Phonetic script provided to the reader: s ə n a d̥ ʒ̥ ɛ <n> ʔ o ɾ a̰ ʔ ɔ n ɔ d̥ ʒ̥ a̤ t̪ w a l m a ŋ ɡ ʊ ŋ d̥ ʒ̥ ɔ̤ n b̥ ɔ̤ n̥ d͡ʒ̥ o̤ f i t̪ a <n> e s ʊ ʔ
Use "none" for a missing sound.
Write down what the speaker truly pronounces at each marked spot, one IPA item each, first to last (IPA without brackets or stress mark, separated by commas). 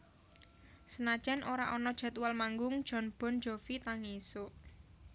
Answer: n, ŋ